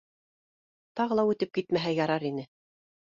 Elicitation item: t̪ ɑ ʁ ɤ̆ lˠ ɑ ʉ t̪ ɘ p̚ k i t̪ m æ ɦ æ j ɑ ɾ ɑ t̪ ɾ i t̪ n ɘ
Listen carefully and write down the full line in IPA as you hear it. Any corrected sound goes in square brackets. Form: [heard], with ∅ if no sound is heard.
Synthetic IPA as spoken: t̪ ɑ ʁ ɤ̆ lˠ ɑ ʉ t̪ ɘ p̚ k i t̪ m æ ɦ æ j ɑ ɾ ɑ [∅] ɾ i [∅] n ɘ